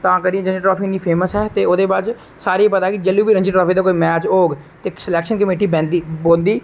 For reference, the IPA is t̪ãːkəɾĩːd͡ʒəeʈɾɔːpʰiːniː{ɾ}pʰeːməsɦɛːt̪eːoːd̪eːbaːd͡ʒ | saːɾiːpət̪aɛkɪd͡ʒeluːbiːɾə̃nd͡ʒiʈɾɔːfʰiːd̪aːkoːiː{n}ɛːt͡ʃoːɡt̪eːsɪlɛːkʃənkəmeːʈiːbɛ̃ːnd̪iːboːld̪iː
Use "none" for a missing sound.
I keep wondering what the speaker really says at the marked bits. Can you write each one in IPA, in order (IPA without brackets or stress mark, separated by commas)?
none, m